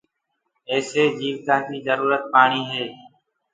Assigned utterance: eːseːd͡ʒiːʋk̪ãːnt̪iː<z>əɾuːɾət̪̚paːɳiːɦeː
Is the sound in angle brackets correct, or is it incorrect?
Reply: correct